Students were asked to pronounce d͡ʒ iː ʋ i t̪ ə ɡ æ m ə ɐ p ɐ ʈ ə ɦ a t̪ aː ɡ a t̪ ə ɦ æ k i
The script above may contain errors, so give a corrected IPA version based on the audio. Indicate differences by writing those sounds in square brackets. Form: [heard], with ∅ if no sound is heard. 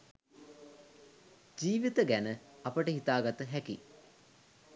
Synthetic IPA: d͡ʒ iː ʋ i t̪ ə ɡ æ [n] ə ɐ p [ə] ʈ ə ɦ [i] t̪ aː ɡ a t̪ ə ɦ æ k i